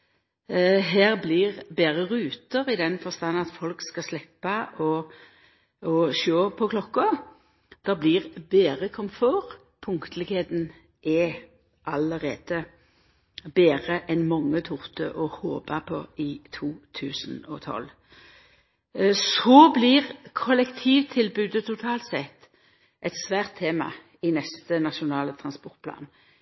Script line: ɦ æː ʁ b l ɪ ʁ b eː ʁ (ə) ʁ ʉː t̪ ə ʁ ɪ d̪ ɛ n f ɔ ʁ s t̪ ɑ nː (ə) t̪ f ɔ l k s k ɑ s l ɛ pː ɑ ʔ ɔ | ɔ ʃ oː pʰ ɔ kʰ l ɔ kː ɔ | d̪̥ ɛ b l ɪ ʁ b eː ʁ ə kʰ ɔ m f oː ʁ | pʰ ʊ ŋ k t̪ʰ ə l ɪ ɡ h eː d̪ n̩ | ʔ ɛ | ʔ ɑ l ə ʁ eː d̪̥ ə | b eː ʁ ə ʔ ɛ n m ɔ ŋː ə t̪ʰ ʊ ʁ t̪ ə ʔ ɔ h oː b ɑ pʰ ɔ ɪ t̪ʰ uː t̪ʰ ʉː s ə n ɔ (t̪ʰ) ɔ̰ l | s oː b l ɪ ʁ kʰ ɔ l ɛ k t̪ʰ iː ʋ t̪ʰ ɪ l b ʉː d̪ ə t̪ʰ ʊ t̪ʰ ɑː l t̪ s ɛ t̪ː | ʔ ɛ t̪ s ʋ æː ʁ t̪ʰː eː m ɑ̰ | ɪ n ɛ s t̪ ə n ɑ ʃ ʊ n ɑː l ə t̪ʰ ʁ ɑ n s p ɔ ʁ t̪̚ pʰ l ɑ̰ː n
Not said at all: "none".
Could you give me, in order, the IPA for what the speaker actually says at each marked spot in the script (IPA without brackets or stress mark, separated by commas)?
ə, ɑ, t̪ʰ